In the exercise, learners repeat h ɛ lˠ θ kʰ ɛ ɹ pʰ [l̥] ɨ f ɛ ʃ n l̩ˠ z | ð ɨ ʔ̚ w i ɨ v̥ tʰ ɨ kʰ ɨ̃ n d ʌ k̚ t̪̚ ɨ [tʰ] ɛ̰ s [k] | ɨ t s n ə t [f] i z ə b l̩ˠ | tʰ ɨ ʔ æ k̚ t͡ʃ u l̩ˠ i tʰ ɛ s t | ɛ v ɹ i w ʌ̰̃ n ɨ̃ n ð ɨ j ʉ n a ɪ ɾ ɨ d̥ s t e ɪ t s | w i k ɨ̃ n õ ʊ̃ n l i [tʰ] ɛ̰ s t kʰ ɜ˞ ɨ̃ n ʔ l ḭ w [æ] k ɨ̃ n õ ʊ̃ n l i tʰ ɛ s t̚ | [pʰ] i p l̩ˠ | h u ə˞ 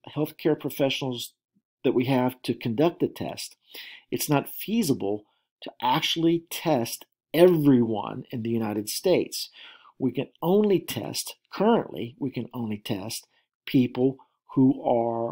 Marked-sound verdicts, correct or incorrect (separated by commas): incorrect, correct, incorrect, correct, correct, incorrect, correct